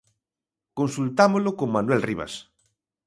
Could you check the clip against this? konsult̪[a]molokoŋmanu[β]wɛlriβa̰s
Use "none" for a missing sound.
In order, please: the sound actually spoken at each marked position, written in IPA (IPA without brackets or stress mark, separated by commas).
a, none